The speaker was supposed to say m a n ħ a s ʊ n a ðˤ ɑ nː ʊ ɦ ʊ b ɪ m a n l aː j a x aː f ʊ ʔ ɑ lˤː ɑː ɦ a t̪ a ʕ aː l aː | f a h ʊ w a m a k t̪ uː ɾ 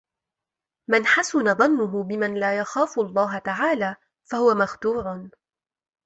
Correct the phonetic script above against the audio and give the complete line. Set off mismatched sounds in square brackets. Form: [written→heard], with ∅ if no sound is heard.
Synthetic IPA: m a n ħ a s ʊ n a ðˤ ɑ nː ʊ ɦ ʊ b ɪ m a n l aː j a x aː f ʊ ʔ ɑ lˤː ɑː ɦ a t̪ a ʕ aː l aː | f a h ʊ w a m a [k→x] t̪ uː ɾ